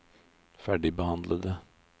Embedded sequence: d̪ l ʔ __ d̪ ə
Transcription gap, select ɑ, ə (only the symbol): ə